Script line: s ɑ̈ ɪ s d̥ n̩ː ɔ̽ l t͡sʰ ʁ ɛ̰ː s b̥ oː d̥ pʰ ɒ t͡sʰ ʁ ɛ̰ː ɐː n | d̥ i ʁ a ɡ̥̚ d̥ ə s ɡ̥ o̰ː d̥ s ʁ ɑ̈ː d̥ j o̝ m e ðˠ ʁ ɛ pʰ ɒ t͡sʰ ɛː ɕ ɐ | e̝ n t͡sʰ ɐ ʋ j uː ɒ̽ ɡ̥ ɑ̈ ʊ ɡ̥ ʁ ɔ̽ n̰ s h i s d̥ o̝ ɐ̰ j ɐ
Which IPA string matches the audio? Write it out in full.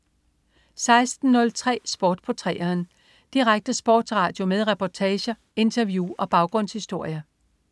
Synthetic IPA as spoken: s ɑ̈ ɪ s d̥ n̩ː ɔ̽ l t͡sʰ ʁ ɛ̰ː s b̥ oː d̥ pʰ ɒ t͡sʰ ʁ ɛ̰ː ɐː n | d̥ i ʁ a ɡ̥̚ d̥ ə s b̥ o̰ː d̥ s ʁ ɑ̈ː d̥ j o̝ m e ðˠ ʁ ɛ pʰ ɒ t͡sʰ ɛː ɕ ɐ | e̝ n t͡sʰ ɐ ʋ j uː ɒ̽ b̥ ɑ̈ ʊ ɡ̥ ʁ ɔ̽ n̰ s h i s d̥ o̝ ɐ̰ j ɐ